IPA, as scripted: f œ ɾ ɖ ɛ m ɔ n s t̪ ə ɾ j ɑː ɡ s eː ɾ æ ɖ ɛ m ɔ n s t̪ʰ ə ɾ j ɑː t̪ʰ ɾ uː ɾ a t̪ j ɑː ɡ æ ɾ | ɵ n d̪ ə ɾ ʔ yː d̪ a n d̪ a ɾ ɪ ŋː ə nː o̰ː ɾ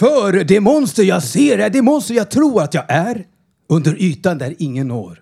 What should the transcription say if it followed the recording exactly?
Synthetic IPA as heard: f œ ɾ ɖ ɛ m ɔ n s t̪ ə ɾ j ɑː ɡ s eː ɾ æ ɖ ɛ m ɔ n s t̪ ə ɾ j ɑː t̪ʰ ɾ uː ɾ a t̪ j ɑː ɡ æ ɾ | ɵ n d̪ ə ɾ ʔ yː t̪ a n d̪ æ ɾ ɪ ŋː ə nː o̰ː ɾ